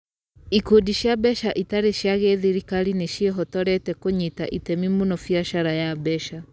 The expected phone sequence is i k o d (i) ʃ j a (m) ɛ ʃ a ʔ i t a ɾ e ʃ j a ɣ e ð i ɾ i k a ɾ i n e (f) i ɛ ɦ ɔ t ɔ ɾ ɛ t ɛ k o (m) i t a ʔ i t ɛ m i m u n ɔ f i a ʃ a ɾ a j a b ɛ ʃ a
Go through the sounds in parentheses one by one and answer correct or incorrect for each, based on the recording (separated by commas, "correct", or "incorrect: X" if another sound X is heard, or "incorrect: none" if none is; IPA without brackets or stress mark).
correct, incorrect: b, incorrect: ʃ, incorrect: ɲ